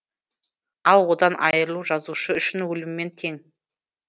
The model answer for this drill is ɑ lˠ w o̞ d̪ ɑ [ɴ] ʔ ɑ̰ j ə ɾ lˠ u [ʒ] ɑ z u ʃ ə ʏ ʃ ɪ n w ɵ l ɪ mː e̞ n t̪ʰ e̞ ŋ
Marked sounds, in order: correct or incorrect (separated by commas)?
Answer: incorrect, correct